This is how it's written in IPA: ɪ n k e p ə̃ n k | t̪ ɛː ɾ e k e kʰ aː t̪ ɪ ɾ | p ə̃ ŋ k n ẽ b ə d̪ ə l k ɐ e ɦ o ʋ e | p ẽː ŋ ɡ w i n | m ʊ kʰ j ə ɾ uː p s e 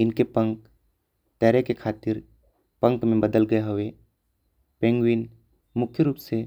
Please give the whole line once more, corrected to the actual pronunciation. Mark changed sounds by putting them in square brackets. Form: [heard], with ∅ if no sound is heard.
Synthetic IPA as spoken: ɪ n k e p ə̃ [ŋ] k | t̪ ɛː ɾ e k e kʰ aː t̪ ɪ ɾ | p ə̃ ŋ k [m] ẽ b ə d̪ ə l [ɡ] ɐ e ɦ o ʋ e | p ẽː ŋ ɡ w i n | m ʊ kʰ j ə ɾ uː p s e